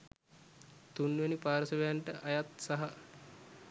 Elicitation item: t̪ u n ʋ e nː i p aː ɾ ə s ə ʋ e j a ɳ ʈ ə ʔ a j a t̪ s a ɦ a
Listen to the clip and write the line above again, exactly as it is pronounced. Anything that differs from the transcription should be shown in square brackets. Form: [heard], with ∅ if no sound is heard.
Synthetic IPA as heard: t̪ u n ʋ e [n] i p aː ɾ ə s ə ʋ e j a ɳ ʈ ə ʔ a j a t̪ s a ɦ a